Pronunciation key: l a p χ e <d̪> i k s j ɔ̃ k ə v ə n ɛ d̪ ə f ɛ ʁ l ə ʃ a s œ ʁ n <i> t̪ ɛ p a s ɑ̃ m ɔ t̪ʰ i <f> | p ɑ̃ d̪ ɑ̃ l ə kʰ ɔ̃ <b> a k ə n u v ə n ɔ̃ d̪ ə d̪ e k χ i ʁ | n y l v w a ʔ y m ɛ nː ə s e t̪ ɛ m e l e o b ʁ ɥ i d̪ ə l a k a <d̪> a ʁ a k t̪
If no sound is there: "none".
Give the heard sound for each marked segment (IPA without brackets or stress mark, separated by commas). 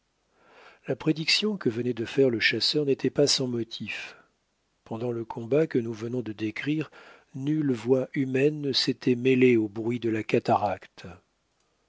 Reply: d̪, e, f, b, t̪